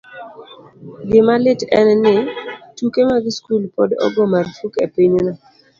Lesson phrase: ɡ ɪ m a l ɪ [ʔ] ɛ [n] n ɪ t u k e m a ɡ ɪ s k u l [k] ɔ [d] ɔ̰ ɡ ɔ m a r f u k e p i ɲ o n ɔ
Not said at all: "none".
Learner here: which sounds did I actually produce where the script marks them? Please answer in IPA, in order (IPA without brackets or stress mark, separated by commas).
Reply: t, n, p, d